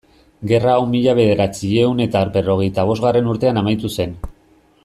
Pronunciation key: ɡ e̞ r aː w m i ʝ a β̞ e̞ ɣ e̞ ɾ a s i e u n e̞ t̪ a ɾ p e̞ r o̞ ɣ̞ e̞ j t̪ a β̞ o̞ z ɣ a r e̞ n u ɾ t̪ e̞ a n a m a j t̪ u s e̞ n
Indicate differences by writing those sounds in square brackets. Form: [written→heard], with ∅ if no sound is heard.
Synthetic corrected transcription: ɡ e̞ r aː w m i [ʝ→ʎ] a β̞ e̞ [ɣ→ð] e̞ ɾ a [s→t͡s] i e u n e̞ t̪ a ɾ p e̞ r o̞ ɣ̞ e̞ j t̪ a β̞ o̞ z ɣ a r e̞ n u ɾ t̪ e̞ a n a m a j t̪ u s e̞ n